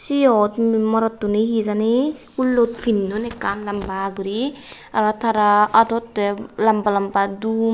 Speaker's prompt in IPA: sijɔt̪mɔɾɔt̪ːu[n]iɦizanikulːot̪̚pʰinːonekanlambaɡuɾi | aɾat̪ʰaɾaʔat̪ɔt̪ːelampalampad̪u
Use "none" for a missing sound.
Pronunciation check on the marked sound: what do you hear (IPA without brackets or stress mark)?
n